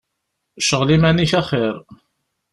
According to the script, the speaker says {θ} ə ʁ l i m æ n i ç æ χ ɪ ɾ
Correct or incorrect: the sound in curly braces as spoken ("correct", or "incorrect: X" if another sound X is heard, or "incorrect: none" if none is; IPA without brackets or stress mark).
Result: incorrect: ʃ